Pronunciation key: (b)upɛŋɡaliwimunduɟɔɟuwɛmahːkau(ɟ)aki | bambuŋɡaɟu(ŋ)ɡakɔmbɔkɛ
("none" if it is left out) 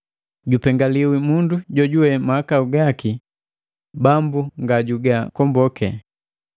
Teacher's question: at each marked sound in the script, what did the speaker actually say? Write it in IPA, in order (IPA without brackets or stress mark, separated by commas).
ɟ, ɡ, none